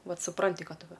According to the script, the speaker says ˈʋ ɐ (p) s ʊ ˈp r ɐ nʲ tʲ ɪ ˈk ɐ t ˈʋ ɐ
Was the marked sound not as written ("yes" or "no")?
yes